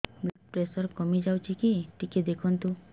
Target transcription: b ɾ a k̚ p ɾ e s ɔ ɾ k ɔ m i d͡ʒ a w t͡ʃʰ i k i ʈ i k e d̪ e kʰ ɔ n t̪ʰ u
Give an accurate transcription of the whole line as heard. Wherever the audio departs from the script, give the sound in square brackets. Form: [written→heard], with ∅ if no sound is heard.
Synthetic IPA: b [ɾ→l] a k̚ p ɾ e s ɔ ɾ k ɔ m i d͡ʒ a w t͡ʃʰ i k i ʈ i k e d̪ e kʰ ɔ n [t̪ʰ→t̪] u